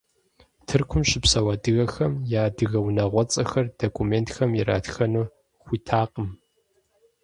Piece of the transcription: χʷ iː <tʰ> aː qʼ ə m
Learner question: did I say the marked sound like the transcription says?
yes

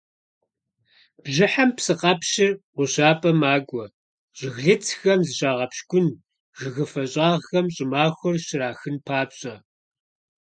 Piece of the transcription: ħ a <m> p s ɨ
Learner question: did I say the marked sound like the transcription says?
yes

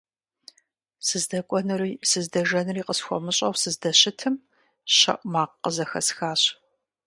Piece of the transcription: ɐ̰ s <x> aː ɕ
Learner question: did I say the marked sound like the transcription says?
yes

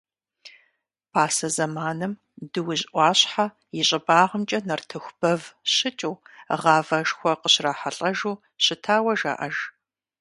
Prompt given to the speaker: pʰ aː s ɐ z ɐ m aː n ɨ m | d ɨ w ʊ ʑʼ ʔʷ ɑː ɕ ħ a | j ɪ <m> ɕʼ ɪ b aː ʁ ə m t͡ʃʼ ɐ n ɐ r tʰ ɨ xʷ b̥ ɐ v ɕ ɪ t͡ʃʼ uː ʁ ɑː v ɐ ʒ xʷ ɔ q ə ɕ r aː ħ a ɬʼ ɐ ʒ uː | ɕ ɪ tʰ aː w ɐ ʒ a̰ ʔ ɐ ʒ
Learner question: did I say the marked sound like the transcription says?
no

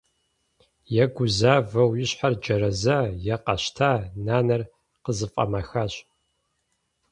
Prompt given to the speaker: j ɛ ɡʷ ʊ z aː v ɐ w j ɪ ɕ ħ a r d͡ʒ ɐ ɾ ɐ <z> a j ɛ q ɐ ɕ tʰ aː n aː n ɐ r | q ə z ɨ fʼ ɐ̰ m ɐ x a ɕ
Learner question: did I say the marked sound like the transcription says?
yes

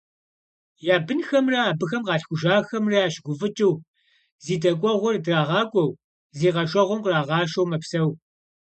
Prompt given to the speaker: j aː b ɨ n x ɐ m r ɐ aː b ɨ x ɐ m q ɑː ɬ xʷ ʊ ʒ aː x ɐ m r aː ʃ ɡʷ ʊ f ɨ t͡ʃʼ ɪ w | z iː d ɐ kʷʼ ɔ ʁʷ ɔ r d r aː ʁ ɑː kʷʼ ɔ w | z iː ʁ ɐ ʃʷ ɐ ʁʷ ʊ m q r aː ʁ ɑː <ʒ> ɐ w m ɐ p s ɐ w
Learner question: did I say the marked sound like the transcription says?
no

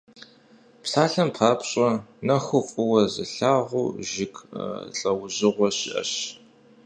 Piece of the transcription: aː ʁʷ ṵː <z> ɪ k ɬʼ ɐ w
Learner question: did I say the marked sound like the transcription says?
no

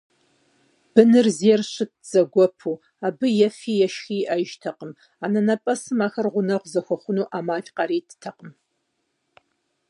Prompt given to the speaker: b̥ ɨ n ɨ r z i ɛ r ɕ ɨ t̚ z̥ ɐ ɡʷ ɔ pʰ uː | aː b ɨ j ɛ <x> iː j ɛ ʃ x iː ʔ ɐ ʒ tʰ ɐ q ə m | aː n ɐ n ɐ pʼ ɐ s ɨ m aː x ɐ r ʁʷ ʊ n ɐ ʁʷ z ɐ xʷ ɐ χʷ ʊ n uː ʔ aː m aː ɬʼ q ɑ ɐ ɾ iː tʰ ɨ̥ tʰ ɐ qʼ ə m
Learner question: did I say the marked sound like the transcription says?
no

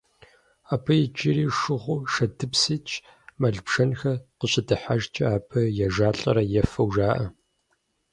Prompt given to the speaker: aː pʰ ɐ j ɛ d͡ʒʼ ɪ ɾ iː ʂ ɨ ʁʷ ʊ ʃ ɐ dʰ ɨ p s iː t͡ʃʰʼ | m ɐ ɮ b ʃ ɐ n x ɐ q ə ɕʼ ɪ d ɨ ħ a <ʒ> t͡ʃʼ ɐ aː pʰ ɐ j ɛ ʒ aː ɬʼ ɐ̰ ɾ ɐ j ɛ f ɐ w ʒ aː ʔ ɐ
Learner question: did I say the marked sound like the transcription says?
yes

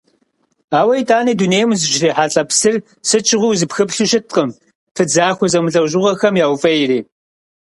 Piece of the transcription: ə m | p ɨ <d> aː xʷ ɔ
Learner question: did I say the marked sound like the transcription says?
no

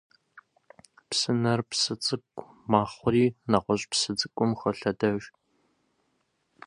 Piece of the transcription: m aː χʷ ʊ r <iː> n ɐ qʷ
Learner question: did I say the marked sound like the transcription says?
yes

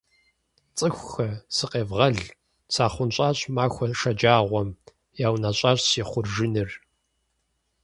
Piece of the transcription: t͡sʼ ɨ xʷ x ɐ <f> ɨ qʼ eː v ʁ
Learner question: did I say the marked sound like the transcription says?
no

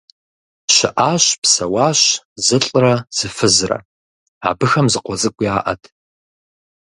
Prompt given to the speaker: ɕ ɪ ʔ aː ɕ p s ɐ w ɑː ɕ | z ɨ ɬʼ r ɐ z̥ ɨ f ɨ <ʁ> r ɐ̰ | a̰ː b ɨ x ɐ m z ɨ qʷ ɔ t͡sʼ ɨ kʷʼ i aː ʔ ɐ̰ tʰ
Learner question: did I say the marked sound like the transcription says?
no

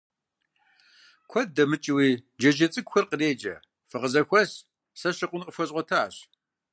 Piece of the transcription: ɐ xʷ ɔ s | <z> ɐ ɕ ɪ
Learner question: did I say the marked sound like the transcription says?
no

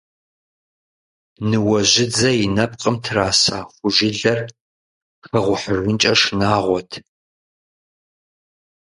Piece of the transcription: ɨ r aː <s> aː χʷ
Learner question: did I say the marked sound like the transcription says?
yes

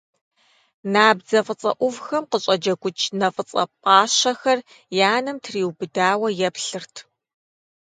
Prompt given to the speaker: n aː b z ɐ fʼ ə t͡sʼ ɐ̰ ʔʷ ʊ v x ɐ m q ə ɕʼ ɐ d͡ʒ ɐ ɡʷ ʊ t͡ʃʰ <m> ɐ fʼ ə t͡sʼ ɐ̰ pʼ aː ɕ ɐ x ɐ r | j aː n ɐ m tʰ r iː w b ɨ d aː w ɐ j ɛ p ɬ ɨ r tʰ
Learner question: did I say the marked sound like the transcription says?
no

